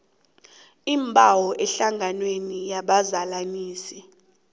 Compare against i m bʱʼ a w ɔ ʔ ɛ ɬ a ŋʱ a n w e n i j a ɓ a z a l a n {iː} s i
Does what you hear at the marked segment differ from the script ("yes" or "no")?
no